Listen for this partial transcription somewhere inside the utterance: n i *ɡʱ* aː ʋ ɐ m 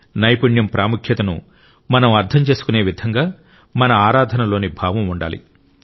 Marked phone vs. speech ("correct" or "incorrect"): incorrect